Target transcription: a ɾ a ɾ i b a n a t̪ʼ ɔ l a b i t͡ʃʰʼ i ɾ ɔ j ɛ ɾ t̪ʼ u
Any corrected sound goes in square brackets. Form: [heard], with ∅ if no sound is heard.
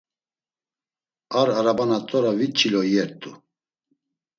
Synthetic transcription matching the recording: a ɾ a ɾ [a] b a n a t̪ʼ ɔ [ɾ] a [v] i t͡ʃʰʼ i [l] ɔ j ɛ ɾ t̪ʼ u